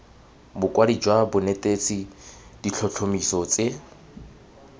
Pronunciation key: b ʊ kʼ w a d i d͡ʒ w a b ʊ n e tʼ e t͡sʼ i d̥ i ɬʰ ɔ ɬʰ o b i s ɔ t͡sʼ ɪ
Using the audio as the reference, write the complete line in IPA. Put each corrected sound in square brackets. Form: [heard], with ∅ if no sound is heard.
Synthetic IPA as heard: b ʊ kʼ w a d i d͡ʒ w a b ʊ n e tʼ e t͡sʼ i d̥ i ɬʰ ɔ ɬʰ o [m] i s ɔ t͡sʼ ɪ